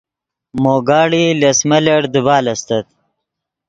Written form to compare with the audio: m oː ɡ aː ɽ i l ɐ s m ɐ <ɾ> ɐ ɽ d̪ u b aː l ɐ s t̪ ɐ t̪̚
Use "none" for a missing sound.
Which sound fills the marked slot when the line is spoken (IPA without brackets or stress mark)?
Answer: l